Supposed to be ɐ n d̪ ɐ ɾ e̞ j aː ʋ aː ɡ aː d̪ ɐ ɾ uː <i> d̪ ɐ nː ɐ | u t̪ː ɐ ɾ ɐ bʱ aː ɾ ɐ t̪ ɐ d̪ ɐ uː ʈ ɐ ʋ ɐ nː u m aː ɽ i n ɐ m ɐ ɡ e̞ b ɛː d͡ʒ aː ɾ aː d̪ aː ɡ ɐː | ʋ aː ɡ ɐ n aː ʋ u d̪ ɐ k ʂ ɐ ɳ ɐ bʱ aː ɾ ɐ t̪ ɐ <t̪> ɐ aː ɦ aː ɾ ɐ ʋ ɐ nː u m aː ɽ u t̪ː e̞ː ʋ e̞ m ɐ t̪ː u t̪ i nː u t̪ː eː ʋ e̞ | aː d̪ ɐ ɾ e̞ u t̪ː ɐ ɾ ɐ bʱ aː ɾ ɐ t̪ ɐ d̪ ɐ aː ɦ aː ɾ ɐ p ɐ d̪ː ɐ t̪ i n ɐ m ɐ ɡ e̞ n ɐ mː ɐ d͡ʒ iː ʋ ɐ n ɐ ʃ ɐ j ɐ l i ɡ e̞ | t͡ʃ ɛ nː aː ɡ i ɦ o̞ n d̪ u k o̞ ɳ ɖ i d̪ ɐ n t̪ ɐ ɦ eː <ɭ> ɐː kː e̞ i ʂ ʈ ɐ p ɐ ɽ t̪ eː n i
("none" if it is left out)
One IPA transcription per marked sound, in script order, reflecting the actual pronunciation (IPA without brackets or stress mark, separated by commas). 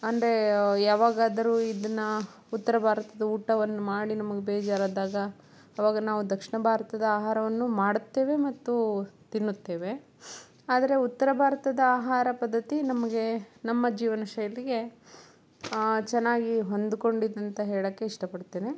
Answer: i, d̪, ɭ